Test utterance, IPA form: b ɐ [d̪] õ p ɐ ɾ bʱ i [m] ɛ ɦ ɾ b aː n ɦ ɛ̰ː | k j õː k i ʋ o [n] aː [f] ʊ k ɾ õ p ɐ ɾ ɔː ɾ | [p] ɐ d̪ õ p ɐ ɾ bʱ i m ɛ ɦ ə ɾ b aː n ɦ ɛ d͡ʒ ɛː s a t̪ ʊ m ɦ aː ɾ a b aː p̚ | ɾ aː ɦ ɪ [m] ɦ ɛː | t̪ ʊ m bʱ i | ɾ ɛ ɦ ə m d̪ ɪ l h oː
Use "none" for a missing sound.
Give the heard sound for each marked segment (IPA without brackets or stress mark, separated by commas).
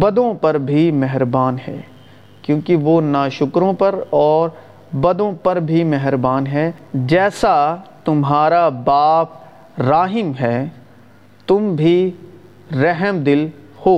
d̪, m, n, ʃ, b, m